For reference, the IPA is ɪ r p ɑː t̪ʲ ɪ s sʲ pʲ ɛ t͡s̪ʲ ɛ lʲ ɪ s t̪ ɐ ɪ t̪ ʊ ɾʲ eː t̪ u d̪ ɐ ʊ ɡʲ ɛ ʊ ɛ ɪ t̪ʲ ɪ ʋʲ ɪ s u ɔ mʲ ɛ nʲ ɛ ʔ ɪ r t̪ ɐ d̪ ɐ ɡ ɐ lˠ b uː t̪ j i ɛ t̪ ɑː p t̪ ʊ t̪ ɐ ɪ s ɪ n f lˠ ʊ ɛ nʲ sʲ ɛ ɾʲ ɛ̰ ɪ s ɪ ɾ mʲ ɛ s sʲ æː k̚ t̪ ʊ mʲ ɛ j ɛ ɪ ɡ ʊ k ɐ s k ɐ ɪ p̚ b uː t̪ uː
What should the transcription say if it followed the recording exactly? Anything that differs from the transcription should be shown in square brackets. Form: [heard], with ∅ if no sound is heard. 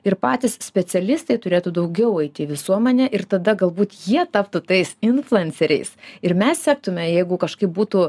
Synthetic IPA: ɪ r p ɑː t̪ʲ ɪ s sʲ pʲ ɛ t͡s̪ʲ ɛ lʲ ɪ s t̪ ɐ ɪ t̪ ʊ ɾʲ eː t̪ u d̪ ɐ ʊ ɡʲ ɛ ʊ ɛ ɪ t̪ʲ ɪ ʋʲ ɪ s u ɔ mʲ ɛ nʲ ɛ ʔ ɪ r t̪ ɐ d̪ ɐ ɡ ɐ lˠ b uː t̪ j i ɛ t̪ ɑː p t̪ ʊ t̪ ɐ ɪ s ɪ n f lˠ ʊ ɛ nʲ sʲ ɛ ɾʲ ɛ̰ ɪ s ɪ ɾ mʲ ɛ s sʲ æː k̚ t̪ ʊ mʲ ɛ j ɛ ɪ ɡ ʊ k ɐ [ʃ] k ɐ ɪ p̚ b uː t̪ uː